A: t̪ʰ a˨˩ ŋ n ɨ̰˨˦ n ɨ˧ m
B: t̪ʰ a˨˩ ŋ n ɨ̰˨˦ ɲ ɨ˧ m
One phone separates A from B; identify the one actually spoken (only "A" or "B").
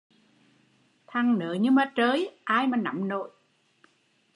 B